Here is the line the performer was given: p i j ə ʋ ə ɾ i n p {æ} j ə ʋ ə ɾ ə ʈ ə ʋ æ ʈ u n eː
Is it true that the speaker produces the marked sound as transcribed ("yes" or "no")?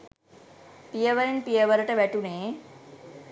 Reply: no